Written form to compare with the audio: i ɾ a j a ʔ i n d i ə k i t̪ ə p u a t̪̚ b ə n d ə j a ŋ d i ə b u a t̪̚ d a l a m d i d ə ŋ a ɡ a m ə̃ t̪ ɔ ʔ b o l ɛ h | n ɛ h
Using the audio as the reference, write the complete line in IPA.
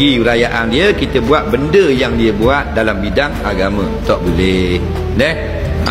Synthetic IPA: i ɾ a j a ʔ a n d i ə k i t̪ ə b u a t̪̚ b ə n d ə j a ŋ d i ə b u a t̪̚ d a l a m b i d a ŋ a ɡ a m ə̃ t̪ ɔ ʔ b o l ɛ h | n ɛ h